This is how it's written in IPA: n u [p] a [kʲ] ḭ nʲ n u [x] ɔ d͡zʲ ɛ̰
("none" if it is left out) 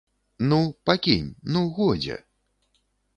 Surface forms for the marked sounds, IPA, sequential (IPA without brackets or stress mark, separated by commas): p, kʲ, ɣ